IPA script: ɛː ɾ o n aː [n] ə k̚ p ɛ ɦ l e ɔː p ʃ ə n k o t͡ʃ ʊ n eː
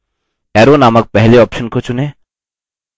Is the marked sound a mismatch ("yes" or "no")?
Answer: yes